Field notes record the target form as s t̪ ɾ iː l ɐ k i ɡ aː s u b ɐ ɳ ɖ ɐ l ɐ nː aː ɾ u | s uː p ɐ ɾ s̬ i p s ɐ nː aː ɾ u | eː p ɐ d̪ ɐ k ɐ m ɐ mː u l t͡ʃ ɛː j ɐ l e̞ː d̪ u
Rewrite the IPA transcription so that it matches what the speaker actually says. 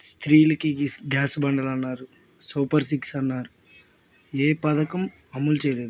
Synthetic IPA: s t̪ ɾ iː l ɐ k i ɡ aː s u b ɐ ɳ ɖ ɐ l ɐ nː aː ɾ u | s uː p ɐ ɾ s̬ i k s ɐ nː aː ɾ u | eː p ɐ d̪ ɐ k ɐ m ɐ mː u l t͡ʃ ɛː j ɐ l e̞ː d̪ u